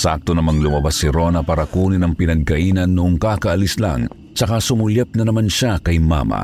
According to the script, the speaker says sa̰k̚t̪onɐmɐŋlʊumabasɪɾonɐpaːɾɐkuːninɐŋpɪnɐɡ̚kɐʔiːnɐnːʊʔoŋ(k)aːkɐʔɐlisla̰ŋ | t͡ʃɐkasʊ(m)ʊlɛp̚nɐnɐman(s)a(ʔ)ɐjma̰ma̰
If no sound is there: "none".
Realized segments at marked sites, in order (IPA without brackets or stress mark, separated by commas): k, m, ʃ, k